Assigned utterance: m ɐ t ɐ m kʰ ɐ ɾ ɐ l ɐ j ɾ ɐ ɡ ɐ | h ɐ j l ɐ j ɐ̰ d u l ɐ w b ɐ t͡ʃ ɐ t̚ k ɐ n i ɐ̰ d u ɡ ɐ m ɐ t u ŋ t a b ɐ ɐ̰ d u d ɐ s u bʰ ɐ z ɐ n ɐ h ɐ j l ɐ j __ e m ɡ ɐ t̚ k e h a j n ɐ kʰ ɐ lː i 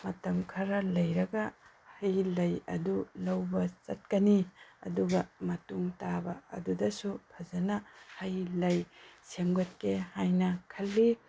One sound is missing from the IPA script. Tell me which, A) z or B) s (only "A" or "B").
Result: B